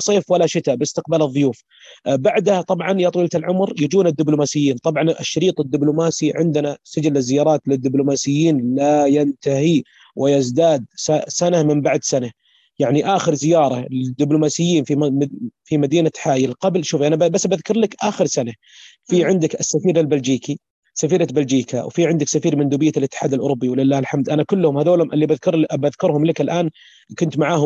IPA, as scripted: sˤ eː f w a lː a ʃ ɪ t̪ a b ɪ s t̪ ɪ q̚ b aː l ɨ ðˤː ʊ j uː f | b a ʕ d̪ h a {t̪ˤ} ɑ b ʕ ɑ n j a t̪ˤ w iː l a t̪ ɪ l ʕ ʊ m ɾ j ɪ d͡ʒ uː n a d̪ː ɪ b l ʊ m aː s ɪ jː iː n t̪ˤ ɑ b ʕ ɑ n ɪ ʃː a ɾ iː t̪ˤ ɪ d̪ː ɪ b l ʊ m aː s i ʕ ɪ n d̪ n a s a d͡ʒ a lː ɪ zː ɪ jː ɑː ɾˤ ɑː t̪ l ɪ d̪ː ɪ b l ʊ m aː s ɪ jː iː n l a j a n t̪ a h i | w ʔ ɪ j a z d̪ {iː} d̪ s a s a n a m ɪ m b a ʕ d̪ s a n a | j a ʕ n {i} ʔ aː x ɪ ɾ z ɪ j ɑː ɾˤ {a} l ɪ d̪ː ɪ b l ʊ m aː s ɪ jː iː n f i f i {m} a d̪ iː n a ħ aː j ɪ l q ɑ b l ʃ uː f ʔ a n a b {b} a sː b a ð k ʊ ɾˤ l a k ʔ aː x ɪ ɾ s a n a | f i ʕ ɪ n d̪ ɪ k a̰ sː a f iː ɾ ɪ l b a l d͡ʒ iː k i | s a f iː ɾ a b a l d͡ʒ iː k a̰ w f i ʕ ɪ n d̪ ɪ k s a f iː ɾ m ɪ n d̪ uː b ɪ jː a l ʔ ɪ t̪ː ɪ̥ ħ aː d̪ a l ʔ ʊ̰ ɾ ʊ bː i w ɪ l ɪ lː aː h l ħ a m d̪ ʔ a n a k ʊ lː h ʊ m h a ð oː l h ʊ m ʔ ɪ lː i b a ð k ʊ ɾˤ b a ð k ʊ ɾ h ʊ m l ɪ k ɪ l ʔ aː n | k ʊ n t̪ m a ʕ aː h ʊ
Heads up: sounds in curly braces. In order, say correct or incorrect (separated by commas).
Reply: correct, incorrect, correct, incorrect, correct, correct